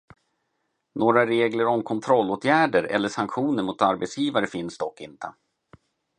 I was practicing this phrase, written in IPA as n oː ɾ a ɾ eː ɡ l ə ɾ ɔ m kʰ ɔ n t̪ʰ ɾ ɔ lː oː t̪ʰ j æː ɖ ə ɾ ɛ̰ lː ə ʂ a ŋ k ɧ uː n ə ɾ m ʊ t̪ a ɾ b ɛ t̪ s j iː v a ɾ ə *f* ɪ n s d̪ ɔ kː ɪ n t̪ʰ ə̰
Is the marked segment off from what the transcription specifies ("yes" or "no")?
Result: no